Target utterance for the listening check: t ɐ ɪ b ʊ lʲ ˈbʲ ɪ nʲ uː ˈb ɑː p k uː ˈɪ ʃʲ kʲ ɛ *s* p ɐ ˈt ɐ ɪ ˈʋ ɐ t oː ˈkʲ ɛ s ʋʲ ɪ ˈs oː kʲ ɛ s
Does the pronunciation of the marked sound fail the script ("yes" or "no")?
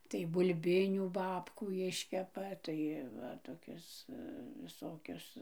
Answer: yes